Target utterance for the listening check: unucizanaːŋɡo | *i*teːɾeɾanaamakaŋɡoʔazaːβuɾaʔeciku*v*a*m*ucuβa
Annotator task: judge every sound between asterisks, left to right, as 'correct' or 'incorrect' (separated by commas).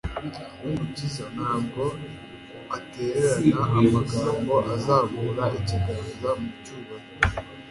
incorrect, incorrect, correct